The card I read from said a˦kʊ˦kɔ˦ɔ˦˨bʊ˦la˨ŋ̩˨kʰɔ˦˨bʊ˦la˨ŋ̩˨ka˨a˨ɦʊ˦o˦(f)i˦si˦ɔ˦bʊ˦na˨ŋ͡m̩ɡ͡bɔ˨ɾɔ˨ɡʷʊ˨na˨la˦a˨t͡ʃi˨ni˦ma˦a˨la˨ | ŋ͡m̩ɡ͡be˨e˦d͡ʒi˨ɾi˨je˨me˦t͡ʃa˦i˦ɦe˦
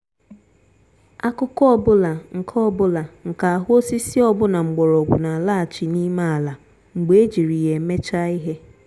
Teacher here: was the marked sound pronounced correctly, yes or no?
no